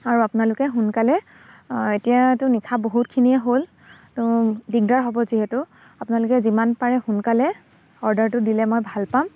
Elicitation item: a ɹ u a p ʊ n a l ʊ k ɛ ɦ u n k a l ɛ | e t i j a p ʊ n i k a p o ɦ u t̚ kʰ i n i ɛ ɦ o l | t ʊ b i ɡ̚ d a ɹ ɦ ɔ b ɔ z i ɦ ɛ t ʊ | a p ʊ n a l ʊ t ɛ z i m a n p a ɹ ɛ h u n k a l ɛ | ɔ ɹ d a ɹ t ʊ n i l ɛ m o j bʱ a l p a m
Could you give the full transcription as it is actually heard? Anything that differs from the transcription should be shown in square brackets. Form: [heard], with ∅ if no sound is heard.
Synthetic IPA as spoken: a ɹ u a p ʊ n a l ʊ k ɛ ɦ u n k a l ɛ | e t i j a [t] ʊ n i [kʰ] a [b] o ɦ u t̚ kʰ i n i ɛ ɦ o l | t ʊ [d] i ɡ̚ d a ɹ ɦ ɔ b ɔ z i ɦ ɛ t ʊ | a p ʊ n a l ʊ [k] ɛ z i m a n p a ɹ ɛ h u n k a l ɛ | ɔ ɹ d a ɹ t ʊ [d] i l ɛ m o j bʱ a l p a m